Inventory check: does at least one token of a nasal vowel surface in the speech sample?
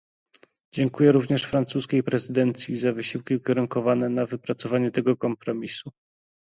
no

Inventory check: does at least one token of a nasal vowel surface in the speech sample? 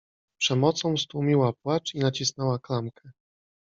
yes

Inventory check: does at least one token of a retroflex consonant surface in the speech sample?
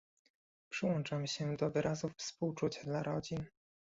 yes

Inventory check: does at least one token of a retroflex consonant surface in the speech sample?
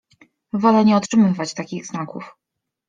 yes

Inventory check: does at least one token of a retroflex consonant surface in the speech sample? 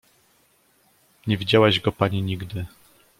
no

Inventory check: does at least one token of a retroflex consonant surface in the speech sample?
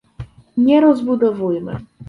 no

